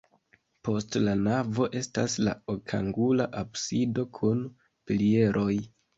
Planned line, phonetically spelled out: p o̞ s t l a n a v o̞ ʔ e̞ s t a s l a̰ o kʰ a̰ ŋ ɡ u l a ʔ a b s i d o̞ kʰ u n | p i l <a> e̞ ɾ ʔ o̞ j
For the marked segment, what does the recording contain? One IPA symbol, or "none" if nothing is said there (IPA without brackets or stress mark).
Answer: i